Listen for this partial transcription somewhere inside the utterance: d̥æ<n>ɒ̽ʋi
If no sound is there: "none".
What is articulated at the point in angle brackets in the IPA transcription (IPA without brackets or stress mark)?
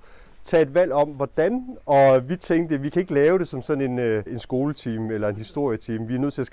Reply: n